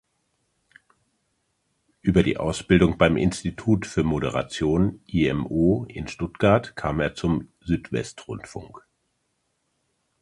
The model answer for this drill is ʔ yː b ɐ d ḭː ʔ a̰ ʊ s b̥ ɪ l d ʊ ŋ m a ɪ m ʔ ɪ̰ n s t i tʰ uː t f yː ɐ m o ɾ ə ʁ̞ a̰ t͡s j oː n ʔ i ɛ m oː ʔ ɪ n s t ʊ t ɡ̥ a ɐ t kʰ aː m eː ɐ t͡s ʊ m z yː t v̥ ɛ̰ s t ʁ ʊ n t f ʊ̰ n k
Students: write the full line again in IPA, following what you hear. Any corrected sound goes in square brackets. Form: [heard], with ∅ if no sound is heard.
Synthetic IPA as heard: ʔ yː b ɐ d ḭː ʔ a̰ ʊ s b̥ ɪ l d ʊ ŋ [b] a ɪ m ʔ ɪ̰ n s t i tʰ uː t f yː ɐ m o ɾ ə ʁ̞ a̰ t͡s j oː n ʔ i ɛ m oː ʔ ɪ n [ʃ] t ʊ t ɡ̥ a ɐ t kʰ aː m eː ɐ t͡s ʊ m z yː t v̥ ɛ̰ s t ʁ ʊ n t f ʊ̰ [ŋ] k